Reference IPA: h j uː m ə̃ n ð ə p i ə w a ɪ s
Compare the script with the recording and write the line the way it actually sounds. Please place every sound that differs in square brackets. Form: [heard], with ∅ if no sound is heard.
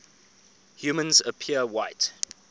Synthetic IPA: h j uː m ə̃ n [z] ə [pʰ] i ə w a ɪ [t]